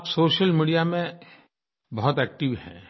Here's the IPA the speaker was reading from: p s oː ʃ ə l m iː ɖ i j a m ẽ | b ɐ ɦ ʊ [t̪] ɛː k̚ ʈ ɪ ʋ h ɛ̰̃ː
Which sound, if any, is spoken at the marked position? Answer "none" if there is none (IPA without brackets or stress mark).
t̪